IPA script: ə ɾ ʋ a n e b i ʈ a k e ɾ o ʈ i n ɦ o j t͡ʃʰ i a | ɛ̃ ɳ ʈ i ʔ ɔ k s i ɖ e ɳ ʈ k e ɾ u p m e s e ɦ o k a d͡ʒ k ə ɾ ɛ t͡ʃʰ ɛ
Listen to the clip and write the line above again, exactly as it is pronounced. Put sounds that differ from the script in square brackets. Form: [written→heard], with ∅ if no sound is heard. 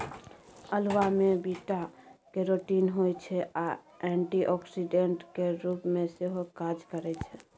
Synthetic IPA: ə [ɾ→l] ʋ a [n→m] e b i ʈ a k e ɾ o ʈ i n ɦ o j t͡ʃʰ [i→ɛ] a | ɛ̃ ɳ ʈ i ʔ ɔ k s i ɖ e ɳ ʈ k e ɾ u p m e s e ɦ o k a d͡ʒ k ə ɾ ɛ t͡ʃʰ ɛ